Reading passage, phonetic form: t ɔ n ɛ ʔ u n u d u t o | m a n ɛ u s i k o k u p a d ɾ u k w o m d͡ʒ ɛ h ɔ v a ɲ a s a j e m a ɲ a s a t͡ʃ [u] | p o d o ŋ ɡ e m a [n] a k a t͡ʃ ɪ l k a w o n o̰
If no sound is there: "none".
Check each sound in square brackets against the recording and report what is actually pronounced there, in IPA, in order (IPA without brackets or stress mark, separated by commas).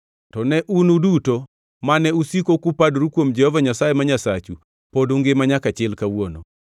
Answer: u, ɲ